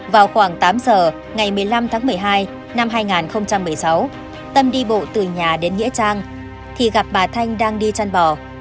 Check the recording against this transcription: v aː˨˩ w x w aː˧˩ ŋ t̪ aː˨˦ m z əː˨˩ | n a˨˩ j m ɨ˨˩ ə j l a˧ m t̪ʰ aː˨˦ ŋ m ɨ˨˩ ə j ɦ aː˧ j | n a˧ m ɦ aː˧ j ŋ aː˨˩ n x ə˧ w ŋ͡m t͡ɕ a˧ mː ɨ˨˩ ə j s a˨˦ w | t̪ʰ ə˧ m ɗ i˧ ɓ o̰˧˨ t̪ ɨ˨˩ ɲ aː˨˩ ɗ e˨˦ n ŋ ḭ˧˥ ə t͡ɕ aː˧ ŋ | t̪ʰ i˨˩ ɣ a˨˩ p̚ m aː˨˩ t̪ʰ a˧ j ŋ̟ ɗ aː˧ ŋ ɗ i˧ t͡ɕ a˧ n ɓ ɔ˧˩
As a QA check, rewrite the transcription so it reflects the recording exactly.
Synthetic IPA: v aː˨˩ w x w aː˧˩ ŋ t̪ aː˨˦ m z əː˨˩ | ŋ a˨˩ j m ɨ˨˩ ə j l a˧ m t̪ʰ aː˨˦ ŋ m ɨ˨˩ ə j ɦ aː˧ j | n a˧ m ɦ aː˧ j ŋ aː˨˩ n x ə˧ w ŋ͡m t͡ɕ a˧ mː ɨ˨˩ ə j s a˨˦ w | t̪ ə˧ m ɗ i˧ ɓ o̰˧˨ t̪ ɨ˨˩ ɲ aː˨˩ ɗ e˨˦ n ŋ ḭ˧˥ ə t͡ɕ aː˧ ŋ | t̪ʰ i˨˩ ɣ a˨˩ p̚ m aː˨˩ t̪ʰ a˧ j ŋ̟ ɗ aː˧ ŋ ɗ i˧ t͡ɕ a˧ n ɓ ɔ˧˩